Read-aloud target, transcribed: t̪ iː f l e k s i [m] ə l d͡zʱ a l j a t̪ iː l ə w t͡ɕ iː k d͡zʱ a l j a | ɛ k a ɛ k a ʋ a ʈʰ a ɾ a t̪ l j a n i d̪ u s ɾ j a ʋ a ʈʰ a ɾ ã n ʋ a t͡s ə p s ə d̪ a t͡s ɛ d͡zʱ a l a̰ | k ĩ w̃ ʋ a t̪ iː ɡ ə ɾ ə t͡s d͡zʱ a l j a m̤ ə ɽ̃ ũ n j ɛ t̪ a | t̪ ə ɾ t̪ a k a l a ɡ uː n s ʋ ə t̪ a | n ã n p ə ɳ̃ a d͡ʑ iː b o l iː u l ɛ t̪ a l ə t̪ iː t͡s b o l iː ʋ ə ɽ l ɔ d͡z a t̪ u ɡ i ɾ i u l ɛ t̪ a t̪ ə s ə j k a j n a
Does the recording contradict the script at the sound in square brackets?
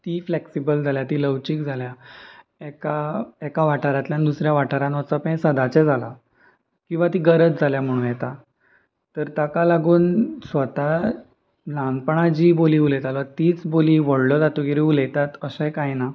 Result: yes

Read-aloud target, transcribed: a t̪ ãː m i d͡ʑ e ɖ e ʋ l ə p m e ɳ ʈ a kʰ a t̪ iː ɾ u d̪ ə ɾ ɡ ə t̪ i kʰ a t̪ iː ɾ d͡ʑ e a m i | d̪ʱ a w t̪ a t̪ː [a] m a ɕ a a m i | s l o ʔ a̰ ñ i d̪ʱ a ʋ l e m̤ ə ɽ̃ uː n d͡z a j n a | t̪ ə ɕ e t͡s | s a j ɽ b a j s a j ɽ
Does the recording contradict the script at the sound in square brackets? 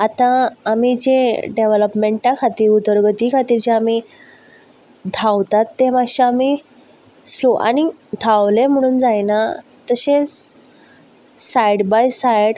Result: yes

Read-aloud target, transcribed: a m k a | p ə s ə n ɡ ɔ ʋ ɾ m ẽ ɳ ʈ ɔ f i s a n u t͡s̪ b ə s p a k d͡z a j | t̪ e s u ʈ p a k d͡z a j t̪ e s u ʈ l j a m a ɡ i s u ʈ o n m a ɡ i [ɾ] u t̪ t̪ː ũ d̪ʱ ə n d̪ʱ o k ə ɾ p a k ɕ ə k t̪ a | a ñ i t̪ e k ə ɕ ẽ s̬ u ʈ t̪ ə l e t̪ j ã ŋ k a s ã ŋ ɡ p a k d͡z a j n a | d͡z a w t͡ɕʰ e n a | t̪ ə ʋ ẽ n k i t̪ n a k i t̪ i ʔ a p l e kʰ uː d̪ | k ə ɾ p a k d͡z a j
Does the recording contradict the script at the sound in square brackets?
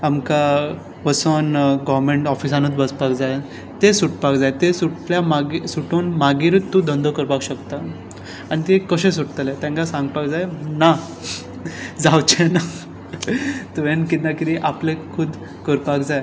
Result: no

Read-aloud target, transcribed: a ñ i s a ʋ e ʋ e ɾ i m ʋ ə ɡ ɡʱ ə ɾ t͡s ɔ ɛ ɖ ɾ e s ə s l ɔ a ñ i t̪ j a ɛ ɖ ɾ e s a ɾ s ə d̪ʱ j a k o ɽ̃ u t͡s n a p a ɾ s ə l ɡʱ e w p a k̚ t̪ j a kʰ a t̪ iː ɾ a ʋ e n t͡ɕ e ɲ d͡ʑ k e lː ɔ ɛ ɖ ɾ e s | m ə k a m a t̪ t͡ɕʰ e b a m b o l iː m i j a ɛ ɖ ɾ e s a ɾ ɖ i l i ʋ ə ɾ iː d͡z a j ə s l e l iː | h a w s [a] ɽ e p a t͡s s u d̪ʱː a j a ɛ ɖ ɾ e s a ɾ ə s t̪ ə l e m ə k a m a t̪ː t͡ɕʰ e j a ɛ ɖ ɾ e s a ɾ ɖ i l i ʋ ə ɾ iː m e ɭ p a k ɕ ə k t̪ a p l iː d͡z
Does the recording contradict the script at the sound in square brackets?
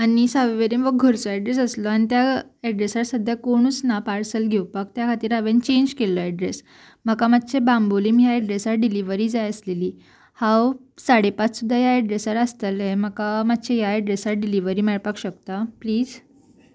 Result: no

